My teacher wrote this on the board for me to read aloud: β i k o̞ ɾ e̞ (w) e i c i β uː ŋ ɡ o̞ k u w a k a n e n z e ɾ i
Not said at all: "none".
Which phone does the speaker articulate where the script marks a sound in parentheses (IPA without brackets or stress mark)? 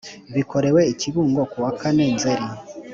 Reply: w